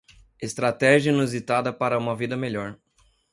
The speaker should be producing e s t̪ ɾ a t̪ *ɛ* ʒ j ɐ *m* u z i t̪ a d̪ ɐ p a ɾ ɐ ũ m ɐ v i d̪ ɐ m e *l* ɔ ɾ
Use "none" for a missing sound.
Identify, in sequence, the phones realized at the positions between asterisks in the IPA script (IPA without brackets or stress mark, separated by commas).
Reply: ɛ, n, ʎ